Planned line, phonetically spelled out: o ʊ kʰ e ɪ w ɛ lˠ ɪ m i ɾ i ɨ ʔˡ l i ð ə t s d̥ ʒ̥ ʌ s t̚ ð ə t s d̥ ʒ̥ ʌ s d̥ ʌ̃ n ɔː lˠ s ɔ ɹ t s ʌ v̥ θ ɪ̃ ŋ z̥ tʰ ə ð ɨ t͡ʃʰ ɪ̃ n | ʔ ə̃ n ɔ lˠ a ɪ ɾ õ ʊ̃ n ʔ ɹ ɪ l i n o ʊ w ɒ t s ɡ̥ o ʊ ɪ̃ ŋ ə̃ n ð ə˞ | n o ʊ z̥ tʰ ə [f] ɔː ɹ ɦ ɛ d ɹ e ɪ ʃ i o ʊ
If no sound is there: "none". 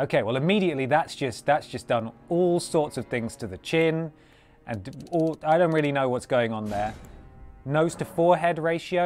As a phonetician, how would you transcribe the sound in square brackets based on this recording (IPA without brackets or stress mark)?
f